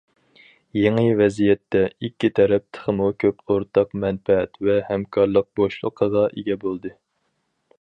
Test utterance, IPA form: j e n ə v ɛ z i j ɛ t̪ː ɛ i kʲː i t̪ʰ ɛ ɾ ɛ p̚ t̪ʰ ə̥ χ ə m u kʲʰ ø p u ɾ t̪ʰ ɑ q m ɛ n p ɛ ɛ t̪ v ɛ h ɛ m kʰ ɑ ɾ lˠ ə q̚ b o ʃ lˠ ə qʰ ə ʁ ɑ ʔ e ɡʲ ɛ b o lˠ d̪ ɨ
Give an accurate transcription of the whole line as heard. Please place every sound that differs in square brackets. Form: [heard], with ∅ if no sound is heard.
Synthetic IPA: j e [ŋ] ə v ɛ z i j ɛ t̪ː ɛ i kʲː i t̪ʰ ɛ ɾ ɛ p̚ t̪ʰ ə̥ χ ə m u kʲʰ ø p [o] ɾ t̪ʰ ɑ q m ɛ n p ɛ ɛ t̪ v ɛ h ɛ m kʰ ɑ ɾ lˠ ə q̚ b o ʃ lˠ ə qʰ ə ʁ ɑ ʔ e ɡʲ ɛ b o lˠ d̪ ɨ